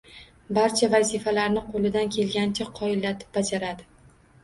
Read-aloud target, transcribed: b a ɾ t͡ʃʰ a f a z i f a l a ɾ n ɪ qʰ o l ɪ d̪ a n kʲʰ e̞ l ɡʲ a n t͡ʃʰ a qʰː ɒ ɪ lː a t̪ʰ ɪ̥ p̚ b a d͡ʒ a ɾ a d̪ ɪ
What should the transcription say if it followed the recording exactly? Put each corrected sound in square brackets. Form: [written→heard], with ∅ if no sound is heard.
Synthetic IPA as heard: b a ɾ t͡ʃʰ a [f→v] a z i f a l a ɾ n ɪ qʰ o l ɪ d̪ a n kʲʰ e̞ l ɡʲ a n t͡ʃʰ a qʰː ɒ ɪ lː a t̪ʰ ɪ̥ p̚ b a d͡ʒ a ɾ a d̪ ɪ